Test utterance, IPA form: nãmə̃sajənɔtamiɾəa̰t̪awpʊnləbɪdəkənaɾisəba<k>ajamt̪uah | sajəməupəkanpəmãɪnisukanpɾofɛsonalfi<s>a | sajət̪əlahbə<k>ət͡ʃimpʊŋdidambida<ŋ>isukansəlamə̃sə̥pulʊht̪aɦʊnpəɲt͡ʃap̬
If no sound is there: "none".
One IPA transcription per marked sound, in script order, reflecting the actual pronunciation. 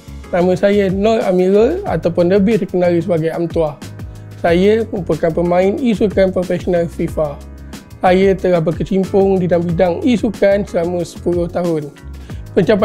ɡ, f, k, ŋ

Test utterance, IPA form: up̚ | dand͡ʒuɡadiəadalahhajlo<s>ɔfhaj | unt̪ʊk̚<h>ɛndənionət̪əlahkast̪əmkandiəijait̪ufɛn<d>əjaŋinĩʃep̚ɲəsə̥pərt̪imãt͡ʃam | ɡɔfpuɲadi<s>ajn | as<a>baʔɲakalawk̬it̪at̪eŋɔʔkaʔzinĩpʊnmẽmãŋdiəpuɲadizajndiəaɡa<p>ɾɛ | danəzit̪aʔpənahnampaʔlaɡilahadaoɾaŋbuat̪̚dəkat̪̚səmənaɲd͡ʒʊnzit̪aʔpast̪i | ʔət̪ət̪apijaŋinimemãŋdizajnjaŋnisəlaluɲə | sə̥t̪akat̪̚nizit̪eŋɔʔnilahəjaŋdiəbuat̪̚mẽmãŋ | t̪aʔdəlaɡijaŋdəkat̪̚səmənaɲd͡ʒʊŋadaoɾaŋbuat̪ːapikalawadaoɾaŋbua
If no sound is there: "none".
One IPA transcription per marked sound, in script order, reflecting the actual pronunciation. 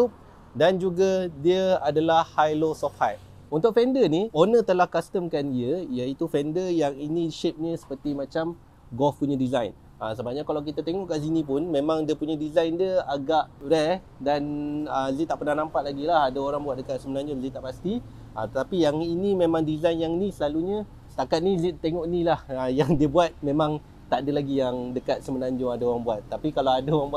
s, f, d, z, ə, ʔ

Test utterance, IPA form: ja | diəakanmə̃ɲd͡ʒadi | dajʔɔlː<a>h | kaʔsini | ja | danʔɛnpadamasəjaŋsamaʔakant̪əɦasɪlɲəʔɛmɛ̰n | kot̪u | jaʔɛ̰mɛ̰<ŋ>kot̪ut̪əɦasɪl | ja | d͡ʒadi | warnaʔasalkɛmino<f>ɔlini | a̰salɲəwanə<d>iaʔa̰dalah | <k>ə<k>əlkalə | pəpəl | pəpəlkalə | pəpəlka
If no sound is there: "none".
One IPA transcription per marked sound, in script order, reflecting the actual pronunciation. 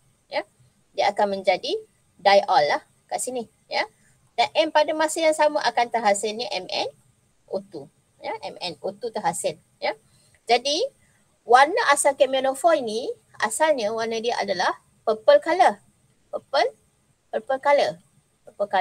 a, n, f, d, p, p

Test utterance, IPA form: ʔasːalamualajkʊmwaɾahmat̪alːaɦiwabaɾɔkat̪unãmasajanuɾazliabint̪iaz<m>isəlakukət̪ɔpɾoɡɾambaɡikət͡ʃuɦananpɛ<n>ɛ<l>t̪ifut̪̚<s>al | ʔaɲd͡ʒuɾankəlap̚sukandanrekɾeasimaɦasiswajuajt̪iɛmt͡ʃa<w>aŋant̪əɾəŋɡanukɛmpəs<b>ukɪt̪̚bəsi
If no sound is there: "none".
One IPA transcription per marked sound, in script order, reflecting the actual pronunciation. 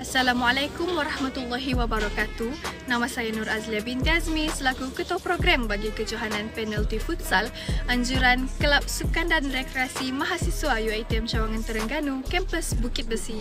m, n, l, s, w, b

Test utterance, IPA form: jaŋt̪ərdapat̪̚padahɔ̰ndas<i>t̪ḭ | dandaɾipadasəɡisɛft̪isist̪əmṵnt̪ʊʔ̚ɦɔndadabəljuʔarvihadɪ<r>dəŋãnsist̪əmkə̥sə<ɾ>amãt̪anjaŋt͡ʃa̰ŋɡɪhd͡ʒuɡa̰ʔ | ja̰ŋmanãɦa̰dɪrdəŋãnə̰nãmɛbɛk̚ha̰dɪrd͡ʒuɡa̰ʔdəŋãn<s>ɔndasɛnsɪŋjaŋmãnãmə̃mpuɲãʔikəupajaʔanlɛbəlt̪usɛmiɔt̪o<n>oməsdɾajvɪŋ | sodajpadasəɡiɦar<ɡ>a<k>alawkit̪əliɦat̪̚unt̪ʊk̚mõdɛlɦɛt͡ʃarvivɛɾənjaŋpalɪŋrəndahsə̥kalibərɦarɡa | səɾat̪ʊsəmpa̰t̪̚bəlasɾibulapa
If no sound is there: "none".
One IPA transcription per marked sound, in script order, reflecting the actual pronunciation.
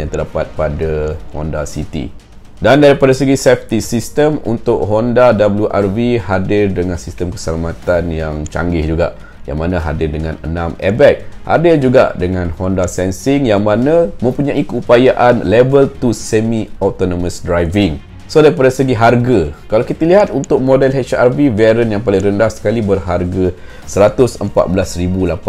i, r, l, h, n, ɡ, k

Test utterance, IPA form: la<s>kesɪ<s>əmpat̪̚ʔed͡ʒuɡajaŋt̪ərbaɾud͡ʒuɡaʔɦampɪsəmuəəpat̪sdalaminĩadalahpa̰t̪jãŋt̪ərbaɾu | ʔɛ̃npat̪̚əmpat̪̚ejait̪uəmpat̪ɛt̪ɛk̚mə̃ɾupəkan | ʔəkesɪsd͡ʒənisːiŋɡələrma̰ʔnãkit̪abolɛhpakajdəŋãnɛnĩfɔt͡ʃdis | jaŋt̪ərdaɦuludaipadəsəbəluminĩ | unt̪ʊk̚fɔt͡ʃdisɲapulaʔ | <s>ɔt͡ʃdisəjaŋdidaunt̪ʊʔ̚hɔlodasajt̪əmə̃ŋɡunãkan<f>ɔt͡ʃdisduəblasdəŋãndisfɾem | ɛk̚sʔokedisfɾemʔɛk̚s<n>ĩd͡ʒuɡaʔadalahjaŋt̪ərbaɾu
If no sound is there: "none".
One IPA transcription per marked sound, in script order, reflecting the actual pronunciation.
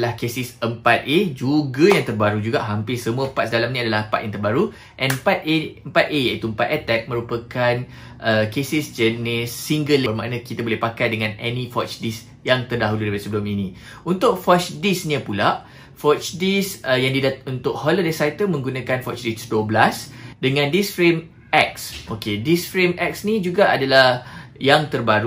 h, s, f, f, n

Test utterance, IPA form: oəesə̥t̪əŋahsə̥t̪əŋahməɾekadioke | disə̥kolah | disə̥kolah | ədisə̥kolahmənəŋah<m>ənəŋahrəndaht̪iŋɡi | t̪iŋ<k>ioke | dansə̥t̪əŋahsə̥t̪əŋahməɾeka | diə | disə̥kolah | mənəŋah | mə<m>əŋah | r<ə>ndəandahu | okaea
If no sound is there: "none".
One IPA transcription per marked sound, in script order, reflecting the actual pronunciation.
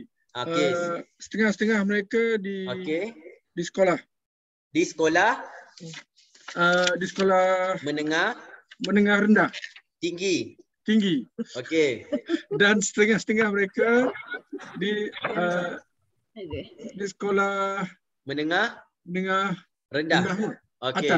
m, ɡ, n, ə

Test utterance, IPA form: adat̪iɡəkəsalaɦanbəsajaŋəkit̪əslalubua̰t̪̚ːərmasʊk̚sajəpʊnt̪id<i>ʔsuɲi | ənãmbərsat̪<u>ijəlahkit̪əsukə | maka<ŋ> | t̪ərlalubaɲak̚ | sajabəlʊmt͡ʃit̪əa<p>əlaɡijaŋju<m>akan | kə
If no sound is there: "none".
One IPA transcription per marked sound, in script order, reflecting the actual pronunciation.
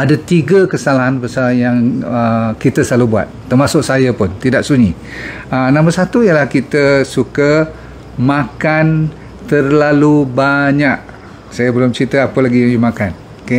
a, u, n, p, m

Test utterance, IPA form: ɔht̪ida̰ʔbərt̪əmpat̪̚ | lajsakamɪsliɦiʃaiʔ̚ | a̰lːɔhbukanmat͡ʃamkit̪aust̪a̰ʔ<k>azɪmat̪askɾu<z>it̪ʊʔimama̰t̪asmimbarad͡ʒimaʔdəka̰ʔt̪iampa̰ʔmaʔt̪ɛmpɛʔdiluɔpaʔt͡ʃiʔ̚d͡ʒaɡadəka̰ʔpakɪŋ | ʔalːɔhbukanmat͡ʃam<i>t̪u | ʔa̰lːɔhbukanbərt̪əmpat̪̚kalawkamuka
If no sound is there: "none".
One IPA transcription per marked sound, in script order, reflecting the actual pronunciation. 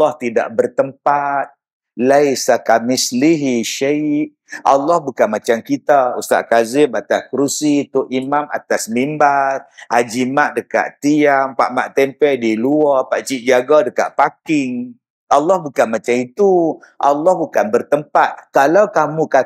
k, s, i

